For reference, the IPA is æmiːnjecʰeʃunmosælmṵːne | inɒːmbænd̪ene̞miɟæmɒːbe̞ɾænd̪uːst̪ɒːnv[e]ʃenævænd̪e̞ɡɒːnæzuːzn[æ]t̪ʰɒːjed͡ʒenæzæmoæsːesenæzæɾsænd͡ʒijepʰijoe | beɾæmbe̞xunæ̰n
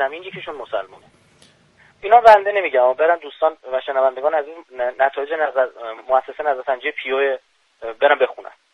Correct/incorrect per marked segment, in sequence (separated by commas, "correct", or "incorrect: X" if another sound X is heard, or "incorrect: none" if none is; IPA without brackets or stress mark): incorrect: æ, correct